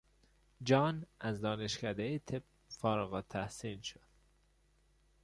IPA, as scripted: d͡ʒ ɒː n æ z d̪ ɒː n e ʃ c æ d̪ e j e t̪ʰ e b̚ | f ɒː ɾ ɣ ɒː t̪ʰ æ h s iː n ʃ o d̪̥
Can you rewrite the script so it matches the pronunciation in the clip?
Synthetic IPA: d͡ʒ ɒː n æ z d̪ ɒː n e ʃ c æ d̪ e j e t̪ʰ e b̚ | f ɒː ɾ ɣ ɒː t̪ʰ æ h s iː n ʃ o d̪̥